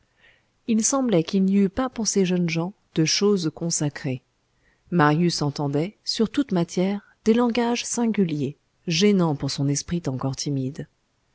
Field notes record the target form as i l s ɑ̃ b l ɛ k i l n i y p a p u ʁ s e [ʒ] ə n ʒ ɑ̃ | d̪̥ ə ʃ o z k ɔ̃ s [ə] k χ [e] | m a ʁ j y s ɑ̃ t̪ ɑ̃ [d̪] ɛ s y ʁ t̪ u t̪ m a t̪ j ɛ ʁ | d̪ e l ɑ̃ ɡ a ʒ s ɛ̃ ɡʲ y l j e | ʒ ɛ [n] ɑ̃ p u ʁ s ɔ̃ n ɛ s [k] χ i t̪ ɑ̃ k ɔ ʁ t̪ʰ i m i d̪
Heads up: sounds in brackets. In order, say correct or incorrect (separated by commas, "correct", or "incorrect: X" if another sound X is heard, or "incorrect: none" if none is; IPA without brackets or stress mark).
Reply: correct, incorrect: a, correct, correct, correct, incorrect: p